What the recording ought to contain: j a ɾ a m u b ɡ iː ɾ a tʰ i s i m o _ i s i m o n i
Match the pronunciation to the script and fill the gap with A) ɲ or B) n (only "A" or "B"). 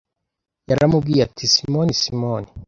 B